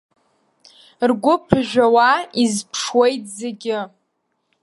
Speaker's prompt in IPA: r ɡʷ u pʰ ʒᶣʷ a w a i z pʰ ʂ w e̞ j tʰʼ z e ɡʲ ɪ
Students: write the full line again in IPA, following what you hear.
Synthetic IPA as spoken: r ɡʷ ʊ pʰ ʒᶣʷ a w a i z pʰ ʂ w e̞ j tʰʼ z e ɡʲ ɪ